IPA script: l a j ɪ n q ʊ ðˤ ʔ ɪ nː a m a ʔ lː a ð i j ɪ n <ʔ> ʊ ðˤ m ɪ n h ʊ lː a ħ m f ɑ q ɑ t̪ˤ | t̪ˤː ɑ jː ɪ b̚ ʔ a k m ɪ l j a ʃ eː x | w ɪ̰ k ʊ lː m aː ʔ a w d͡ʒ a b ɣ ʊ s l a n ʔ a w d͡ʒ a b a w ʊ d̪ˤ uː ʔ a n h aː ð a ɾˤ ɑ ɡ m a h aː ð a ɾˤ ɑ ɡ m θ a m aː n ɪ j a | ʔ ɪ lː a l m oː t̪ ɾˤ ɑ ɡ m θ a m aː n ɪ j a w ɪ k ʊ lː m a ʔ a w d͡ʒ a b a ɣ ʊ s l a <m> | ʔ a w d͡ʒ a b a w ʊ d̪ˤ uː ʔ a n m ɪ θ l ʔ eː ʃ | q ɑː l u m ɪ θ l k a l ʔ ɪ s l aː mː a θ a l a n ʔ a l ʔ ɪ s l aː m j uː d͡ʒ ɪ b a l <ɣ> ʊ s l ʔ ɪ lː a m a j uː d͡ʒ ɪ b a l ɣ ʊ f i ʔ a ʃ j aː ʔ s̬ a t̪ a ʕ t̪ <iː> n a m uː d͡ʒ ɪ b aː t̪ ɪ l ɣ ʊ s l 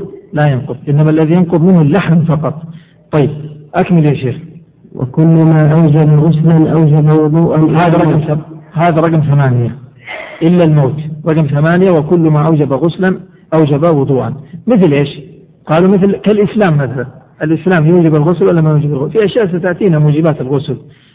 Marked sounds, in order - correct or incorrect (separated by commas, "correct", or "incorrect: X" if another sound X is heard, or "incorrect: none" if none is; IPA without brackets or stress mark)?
incorrect: q, incorrect: n, correct, correct